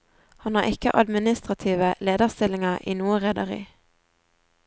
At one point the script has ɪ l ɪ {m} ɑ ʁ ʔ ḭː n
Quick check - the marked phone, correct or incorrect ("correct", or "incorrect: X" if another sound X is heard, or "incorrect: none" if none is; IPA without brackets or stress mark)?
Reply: incorrect: ŋ